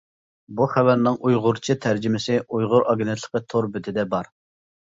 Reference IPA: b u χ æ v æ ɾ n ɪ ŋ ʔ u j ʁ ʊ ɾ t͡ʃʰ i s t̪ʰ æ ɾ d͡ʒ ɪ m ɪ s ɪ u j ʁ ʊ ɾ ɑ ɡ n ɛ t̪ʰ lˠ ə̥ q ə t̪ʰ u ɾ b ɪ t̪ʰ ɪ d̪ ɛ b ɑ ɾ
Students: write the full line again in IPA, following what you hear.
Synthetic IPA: b u χ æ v æ ɾ n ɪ ŋ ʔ u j ʁ ʊ ɾ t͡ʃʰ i t̪ʰ æ ɾ d͡ʒ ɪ m ɪ s ɪ u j ʁ ʊ ɾ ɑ ɡ n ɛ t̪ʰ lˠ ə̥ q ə t̪ʰ o ɾ b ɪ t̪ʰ ɪ d̪ ɛ b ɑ ɾ